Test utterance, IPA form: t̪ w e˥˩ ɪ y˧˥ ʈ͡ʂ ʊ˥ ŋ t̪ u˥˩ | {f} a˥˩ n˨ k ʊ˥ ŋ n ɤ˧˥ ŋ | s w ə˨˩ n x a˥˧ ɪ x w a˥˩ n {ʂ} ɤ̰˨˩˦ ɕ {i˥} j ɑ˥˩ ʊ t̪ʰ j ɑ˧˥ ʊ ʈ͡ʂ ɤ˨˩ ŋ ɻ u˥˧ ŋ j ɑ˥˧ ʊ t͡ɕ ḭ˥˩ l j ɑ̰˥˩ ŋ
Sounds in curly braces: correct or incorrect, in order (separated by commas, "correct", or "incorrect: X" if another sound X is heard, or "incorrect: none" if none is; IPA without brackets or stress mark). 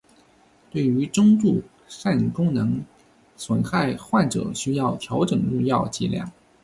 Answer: incorrect: ʂ, incorrect: ʈ͡ʂ, incorrect: y˥